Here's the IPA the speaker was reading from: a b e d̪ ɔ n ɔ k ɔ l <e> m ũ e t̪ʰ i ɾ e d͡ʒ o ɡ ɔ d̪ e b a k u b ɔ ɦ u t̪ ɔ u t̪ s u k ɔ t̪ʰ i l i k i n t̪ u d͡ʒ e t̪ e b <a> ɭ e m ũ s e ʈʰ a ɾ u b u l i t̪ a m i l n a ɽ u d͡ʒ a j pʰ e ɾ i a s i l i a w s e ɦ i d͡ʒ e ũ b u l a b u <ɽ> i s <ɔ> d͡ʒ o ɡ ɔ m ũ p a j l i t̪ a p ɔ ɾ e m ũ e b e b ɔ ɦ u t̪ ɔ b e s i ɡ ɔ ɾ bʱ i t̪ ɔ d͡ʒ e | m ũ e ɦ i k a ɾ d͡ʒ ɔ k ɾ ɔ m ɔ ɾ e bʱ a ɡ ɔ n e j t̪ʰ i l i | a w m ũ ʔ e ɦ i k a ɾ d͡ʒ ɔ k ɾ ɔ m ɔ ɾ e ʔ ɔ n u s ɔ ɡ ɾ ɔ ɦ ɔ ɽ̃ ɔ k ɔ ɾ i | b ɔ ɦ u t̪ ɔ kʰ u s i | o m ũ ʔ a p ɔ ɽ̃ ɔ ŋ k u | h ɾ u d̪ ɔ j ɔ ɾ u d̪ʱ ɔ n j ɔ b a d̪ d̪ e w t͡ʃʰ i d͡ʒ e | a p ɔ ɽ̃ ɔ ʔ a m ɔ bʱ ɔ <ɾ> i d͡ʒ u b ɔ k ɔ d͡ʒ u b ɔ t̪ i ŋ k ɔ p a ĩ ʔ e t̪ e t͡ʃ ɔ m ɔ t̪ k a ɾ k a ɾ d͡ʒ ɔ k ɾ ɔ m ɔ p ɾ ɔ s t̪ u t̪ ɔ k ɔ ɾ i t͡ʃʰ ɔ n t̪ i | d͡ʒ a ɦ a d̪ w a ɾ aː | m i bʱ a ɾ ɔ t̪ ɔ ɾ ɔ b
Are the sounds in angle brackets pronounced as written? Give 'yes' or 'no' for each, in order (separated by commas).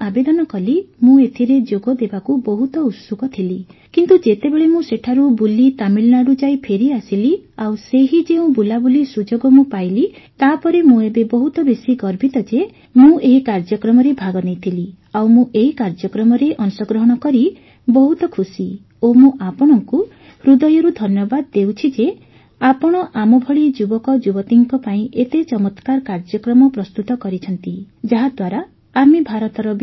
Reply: no, no, no, no, no